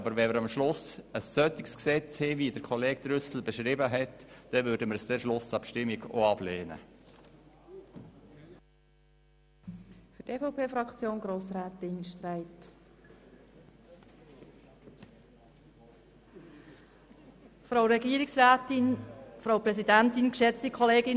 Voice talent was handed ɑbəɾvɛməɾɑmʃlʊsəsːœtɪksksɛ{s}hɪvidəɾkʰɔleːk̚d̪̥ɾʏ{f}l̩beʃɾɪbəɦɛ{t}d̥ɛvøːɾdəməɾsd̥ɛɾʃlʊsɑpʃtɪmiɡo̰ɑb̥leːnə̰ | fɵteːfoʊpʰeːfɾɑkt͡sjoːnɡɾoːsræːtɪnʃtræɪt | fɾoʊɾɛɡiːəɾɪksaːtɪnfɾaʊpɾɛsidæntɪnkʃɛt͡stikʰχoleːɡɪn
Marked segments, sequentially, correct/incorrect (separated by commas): incorrect, incorrect, correct